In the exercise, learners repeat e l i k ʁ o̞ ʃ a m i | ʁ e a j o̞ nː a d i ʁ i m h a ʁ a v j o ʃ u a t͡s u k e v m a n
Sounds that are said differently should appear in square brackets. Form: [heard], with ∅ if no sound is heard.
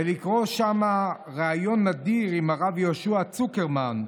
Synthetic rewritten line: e l i k ʁ o̞ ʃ a m [a] | ʁ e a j o̞ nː a d i ʁ i m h a ʁ a v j o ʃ u a t͡s u k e [ʁ] m a n